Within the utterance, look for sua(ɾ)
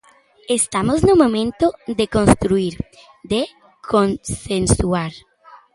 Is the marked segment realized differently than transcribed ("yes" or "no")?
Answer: no